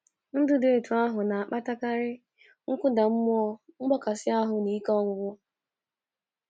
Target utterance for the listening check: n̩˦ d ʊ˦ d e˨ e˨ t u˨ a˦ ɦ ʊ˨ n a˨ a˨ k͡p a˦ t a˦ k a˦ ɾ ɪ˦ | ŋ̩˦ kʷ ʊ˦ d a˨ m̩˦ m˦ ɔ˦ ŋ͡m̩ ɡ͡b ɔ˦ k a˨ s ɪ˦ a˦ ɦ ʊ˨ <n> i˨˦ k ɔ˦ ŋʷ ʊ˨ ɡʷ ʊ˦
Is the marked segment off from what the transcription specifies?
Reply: no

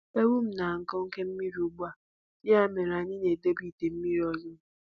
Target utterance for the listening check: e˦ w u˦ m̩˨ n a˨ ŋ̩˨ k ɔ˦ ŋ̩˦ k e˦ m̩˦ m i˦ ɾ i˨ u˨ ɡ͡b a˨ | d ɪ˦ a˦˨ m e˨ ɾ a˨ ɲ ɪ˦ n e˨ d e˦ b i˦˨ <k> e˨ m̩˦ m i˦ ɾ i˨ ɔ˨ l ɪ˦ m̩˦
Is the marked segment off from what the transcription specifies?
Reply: yes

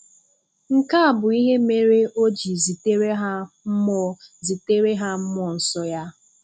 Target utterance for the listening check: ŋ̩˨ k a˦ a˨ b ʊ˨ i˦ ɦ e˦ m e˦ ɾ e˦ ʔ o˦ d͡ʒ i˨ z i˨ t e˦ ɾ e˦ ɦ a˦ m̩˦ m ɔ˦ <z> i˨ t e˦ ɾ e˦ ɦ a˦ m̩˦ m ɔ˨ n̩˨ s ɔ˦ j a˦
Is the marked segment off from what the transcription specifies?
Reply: no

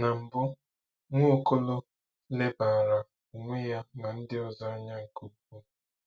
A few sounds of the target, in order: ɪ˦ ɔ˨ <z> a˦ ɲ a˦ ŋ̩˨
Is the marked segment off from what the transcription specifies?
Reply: no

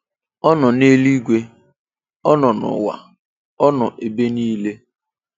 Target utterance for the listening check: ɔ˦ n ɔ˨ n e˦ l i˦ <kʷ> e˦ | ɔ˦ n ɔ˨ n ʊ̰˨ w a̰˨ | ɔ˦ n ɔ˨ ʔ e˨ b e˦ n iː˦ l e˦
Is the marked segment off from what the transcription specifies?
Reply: yes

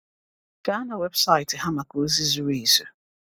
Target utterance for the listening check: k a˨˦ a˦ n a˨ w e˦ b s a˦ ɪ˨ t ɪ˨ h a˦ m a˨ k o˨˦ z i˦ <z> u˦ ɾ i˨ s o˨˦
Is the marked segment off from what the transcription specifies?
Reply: no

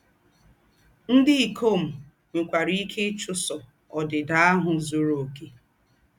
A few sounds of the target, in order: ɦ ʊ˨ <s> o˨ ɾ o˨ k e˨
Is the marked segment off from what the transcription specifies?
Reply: yes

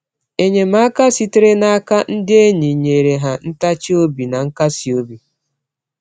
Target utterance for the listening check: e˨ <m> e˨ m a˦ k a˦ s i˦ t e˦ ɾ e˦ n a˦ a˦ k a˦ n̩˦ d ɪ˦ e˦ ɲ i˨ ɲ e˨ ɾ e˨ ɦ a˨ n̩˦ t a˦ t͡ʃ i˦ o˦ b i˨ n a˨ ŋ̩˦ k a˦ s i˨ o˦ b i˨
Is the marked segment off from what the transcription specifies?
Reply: yes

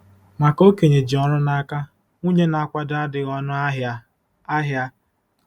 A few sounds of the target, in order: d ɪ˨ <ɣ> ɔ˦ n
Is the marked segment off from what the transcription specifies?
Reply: no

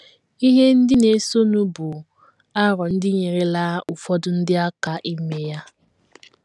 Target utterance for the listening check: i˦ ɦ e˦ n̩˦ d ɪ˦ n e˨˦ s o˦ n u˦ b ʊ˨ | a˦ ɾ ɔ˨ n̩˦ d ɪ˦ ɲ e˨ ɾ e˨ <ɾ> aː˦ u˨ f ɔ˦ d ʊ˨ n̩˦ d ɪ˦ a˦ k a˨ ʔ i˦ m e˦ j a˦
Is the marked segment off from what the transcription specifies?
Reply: yes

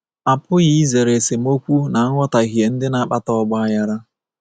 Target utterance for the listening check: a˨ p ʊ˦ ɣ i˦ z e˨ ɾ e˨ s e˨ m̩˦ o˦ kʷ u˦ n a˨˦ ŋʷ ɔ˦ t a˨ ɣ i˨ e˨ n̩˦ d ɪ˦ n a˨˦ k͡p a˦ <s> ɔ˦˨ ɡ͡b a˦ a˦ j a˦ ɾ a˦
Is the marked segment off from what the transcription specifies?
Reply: yes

